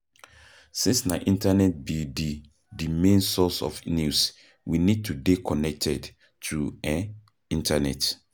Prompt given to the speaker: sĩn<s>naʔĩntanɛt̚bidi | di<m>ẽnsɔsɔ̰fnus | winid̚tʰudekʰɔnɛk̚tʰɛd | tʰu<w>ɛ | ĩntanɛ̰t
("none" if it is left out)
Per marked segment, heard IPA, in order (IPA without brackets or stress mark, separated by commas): s, m, none